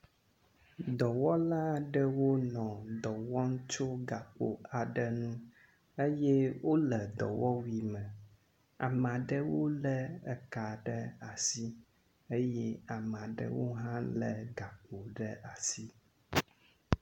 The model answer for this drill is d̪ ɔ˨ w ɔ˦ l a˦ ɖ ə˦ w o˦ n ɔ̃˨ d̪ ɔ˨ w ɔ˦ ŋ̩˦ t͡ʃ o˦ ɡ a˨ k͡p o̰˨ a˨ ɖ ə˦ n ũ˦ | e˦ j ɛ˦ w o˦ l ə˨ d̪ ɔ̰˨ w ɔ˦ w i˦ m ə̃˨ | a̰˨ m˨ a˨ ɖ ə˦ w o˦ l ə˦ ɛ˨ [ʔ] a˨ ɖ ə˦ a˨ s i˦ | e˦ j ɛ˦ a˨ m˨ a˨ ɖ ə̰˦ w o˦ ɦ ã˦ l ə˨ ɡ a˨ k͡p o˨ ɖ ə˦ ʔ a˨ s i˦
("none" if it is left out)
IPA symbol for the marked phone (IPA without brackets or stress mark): k